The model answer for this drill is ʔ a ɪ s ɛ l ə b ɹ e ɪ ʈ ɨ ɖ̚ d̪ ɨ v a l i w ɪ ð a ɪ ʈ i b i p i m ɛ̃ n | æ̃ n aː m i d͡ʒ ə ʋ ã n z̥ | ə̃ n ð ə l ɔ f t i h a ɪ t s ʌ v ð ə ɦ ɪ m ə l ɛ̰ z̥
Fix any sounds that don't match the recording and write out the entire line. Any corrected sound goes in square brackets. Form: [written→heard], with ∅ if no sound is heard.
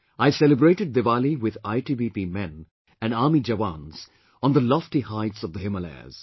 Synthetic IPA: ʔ a ɪ s ɛ l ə b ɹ e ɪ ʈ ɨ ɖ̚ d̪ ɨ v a l i w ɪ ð a ɪ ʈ i b i p i m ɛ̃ n | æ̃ n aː m i d͡ʒ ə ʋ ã n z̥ | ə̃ n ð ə l ɔ f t i h a ɪ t s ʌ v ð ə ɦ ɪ m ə l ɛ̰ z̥